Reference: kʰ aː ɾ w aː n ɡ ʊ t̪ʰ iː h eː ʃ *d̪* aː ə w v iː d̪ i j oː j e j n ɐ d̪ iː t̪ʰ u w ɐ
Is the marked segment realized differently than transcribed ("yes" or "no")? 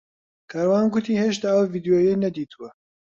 yes